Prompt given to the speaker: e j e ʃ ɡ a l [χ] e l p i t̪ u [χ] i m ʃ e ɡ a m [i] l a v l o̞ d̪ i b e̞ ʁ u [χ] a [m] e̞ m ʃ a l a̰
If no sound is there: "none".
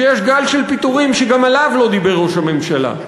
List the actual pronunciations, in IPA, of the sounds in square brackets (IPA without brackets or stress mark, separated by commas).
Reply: ʃ, ʁ, a, ʃ, m